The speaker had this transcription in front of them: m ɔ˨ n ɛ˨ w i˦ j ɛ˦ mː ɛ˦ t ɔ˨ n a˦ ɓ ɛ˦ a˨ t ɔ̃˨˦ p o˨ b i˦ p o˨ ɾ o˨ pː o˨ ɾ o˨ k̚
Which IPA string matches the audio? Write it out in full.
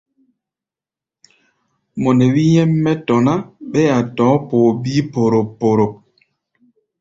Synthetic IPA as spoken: m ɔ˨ n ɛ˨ w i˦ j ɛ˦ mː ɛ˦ t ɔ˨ n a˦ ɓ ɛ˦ a˨ t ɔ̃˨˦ p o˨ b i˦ p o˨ ɾ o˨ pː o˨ ɾ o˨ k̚